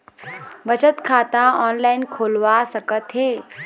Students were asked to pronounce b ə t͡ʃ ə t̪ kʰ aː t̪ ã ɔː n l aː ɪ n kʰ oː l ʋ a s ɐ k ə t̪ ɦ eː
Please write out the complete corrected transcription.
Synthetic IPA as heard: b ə t͡ʃ ə t̪ kʰ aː t̪ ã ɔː n l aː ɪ n kʰ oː l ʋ a s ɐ k ə t̪ ɦ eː

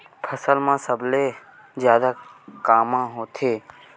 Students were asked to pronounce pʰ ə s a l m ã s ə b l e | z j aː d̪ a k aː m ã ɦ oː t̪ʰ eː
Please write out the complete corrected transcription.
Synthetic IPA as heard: pʰ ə s ə l m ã s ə b l e | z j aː d̪ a k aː m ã ɦ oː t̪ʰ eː

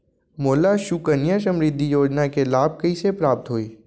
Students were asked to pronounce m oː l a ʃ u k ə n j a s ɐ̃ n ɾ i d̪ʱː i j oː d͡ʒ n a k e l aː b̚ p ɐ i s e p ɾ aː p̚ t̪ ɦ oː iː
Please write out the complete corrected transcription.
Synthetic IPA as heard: m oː l a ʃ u k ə n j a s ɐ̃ m ɾ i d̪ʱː i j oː d͡ʒ n a k e l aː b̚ k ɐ i s e p ɾ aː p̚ t̪ ɦ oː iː

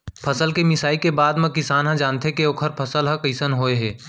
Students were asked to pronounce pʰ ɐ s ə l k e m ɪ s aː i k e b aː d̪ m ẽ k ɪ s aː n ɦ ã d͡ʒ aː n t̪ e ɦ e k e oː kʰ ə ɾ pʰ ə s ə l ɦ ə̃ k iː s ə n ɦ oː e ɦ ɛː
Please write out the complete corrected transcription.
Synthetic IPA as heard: pʰ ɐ s ə l k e m ɪ s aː i k e b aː d̪ m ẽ k ɪ s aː n ɦ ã d͡ʒ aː n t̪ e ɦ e k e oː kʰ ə ɾ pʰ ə s ə l ɦ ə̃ k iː s ə n ɦ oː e ɦ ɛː

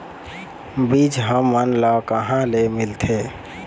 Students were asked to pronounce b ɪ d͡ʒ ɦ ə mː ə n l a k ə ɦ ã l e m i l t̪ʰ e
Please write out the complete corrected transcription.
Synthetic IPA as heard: b i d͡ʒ ɦ ə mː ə n l a k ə ɦ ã l e m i l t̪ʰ e

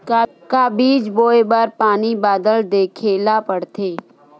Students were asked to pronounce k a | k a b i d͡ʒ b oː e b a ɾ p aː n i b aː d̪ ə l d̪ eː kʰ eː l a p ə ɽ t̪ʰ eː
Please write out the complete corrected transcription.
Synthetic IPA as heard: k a | k a b iː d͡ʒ b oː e b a ɾ p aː n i b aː d̪ ə l d̪ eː kʰ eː l a p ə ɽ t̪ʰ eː

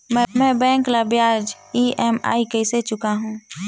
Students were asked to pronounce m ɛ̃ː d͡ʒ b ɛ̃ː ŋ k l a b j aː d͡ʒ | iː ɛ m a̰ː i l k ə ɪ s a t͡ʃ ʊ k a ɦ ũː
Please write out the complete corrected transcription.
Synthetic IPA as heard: m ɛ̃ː b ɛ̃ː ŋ k l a b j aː d͡ʒ | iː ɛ m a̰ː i k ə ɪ s e t͡ʃ ʊ k a ɦ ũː

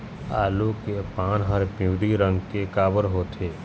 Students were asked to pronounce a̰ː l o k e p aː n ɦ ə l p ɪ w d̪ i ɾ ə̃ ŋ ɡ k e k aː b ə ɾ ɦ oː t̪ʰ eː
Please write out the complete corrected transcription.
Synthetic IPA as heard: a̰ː l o k e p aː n ɦ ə ɾ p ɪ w d̪ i ɾ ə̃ ŋ ɡ k e k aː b ə ɾ ɦ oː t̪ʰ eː

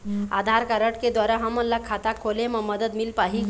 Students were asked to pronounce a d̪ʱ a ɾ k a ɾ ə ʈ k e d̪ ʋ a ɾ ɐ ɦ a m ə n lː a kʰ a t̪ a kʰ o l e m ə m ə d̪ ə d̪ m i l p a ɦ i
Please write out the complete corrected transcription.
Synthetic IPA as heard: a d̪ʱ a ɾ k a ɾ ə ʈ k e d̪ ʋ a ɾ a ɦ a m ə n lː a kʰ a t̪ a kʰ o l e m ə m ə d̪ ə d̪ m i l p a ɦ i

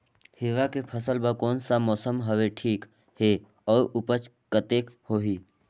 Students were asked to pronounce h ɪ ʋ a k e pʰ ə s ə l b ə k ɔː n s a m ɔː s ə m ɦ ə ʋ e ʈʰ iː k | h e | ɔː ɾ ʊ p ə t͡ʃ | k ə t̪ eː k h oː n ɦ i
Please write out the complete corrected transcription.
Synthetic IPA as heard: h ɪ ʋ a k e pʰ ə s ə l b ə k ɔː n s a m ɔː s ə m ɦ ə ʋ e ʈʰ iː k | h e | ɔː ɾ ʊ p ə t͡ʃ | k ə t̪ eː k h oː ɦ i

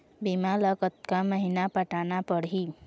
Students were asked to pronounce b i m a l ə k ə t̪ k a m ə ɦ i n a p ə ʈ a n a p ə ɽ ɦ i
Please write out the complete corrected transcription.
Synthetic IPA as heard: b i m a l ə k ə t̪ k a m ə ɦ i n a p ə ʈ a n a p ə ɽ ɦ i

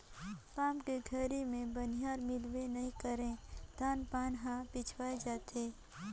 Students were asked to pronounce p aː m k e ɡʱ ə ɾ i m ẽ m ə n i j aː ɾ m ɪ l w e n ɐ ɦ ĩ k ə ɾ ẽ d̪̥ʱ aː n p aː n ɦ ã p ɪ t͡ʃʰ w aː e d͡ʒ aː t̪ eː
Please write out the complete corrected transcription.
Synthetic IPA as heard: p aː m k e ɡʱ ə ɾ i m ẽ b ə n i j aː ɾ m ɪ l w e n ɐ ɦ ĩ k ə ɾ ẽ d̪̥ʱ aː n p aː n ɦ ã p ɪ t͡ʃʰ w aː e d͡ʒ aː t̪ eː

